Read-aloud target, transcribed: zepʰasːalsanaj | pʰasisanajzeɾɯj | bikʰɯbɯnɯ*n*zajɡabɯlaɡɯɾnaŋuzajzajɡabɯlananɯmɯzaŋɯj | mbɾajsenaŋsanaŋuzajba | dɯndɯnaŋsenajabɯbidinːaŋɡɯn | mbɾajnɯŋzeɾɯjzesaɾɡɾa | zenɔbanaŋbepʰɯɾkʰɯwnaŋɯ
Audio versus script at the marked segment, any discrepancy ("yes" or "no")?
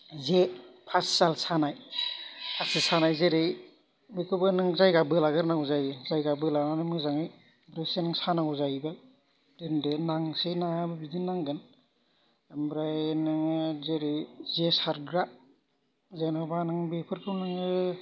yes